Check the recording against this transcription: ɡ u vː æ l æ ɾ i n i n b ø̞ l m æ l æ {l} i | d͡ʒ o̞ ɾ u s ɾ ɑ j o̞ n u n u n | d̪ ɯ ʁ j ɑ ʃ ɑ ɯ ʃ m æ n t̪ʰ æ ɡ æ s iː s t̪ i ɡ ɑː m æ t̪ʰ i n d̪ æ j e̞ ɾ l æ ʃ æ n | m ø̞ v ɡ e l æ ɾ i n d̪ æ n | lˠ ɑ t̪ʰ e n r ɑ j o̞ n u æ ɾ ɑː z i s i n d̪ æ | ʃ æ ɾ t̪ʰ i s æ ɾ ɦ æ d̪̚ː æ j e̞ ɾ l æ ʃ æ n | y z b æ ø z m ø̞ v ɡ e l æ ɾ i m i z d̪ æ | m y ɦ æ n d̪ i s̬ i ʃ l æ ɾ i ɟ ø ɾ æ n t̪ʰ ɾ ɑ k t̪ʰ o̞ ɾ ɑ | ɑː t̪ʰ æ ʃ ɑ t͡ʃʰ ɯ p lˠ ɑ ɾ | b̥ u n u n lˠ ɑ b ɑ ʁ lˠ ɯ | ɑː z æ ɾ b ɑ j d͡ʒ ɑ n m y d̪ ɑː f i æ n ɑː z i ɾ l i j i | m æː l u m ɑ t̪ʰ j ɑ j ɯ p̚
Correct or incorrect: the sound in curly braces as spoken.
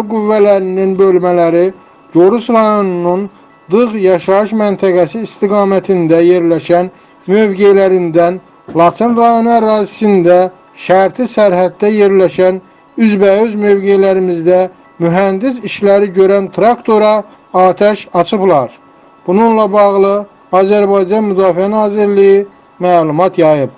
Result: incorrect: ɾ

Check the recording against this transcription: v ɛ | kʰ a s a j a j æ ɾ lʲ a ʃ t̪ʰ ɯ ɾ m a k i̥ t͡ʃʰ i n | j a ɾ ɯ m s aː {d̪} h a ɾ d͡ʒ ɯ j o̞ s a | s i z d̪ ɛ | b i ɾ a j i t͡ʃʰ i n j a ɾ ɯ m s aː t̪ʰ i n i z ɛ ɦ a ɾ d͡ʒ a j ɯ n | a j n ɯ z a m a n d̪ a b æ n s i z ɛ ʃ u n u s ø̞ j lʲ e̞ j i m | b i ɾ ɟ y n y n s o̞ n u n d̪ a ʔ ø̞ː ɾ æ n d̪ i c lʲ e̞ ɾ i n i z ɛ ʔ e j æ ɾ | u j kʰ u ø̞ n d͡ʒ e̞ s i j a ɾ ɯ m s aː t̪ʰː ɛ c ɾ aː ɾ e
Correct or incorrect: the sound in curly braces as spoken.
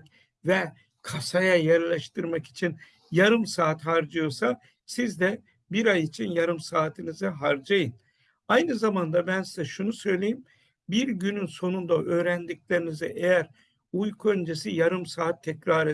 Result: incorrect: t̪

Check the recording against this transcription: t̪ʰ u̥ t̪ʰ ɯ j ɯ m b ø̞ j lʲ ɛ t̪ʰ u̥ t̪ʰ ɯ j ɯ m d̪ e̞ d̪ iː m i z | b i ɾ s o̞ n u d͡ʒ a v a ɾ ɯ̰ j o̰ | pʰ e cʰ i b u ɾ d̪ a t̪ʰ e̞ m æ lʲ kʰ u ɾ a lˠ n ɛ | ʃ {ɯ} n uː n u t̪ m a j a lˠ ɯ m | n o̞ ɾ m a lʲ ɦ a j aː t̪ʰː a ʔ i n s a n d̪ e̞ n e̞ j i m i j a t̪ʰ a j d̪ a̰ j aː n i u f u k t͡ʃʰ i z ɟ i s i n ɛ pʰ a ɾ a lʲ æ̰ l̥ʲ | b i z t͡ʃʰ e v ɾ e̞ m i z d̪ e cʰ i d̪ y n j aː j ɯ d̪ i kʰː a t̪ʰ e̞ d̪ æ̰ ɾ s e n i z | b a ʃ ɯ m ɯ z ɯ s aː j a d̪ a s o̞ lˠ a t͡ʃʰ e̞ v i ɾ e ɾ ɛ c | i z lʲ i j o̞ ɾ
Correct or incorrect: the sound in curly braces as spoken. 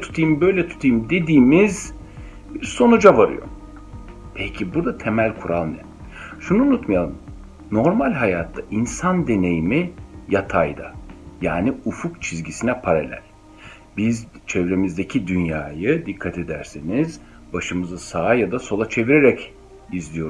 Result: incorrect: u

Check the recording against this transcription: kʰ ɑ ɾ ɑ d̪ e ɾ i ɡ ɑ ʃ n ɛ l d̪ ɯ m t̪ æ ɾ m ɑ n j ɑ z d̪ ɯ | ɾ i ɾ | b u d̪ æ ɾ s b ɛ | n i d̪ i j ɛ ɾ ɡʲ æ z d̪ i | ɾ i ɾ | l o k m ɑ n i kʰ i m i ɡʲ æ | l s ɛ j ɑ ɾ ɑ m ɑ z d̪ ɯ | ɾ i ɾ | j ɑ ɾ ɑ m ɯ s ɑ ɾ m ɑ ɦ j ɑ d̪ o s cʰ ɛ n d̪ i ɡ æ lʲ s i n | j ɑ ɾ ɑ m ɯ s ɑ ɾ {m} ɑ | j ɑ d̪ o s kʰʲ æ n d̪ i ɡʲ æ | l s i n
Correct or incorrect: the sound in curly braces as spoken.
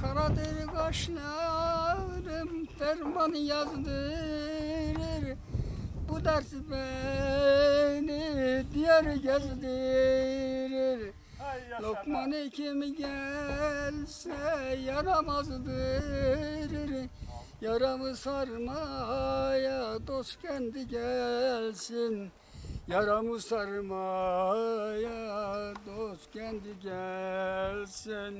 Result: correct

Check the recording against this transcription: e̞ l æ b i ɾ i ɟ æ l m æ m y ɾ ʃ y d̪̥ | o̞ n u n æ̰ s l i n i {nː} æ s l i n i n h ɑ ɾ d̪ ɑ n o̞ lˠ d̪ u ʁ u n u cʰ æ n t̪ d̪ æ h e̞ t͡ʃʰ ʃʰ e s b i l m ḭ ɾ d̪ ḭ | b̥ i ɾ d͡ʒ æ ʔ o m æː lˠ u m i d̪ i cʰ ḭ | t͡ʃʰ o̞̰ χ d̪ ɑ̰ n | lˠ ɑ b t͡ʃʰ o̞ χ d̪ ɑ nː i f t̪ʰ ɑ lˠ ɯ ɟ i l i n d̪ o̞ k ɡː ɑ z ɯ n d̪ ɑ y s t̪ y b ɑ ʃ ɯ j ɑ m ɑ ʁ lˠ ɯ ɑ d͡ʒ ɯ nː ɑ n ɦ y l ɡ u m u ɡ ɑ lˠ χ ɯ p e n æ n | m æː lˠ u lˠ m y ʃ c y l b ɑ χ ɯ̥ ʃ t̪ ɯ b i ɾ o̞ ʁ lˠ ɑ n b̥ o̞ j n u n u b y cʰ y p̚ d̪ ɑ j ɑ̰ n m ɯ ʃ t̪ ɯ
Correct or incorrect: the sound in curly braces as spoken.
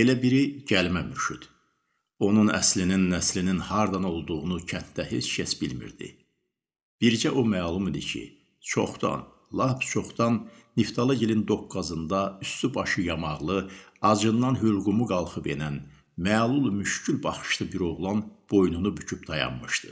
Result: correct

